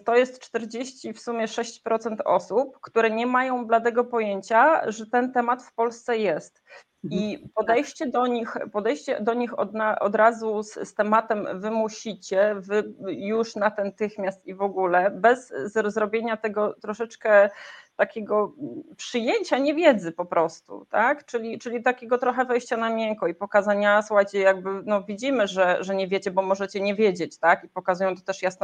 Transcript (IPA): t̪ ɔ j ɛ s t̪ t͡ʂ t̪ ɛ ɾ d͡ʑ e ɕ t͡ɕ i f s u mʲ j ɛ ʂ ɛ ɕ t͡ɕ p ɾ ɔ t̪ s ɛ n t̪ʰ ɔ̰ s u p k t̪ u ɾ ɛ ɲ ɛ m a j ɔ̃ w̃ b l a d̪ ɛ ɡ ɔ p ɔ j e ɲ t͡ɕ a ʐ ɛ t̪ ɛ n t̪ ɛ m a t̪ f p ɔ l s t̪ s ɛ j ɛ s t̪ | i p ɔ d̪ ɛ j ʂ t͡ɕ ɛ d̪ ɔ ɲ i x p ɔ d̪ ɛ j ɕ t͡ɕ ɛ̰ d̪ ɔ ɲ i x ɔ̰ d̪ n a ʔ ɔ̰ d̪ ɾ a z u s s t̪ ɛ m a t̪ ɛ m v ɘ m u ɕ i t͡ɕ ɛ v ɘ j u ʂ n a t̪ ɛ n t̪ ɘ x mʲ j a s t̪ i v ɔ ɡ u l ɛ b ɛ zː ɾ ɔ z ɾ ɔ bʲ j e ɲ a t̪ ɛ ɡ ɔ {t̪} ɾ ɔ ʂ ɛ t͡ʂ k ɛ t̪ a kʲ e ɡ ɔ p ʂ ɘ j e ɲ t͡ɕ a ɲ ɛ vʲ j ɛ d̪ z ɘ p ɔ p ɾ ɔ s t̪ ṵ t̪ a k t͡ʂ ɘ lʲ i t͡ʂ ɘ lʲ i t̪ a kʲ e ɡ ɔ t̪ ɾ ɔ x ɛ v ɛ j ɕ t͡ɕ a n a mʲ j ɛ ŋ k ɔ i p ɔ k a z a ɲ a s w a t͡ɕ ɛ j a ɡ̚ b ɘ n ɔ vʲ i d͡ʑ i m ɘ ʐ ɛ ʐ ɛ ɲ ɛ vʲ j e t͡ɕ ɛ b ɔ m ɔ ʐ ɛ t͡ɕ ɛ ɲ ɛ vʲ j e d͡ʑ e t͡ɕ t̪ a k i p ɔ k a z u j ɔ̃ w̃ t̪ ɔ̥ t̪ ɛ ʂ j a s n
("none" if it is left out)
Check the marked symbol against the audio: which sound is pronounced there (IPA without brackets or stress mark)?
t̪